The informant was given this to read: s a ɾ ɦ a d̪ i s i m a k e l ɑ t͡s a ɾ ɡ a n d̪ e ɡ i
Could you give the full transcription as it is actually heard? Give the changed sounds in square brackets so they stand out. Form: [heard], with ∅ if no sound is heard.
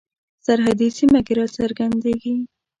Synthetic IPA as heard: s a ɾ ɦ a d̪ i s i m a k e [ɾ] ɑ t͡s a ɾ ɡ a n d̪ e ɡ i